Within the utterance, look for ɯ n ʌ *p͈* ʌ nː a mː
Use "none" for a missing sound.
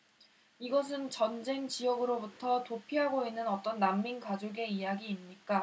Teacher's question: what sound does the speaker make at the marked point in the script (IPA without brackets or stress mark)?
t͈